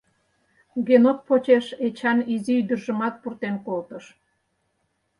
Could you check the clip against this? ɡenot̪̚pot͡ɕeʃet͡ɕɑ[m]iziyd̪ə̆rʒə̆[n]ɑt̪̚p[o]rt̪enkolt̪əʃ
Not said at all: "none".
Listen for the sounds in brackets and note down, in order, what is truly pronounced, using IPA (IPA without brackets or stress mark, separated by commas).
n, m, u